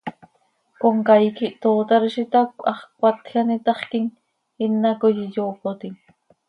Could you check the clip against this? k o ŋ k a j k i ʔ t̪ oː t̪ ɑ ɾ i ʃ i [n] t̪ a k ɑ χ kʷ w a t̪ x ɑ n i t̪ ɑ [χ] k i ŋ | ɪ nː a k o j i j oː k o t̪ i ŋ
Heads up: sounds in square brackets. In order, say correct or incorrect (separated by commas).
incorrect, correct